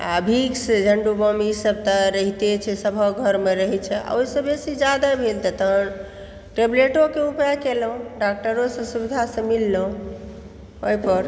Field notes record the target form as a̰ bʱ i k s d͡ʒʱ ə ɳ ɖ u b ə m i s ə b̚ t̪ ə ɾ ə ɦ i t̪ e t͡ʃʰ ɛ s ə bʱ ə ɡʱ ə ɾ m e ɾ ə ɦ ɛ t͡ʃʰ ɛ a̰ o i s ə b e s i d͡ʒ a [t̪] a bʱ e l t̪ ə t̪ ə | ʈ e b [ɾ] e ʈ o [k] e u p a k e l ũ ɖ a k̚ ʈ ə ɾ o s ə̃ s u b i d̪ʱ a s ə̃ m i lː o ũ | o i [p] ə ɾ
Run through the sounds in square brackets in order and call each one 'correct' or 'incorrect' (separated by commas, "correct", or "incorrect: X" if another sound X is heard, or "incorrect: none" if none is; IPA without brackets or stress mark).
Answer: incorrect: d̪, incorrect: l, correct, correct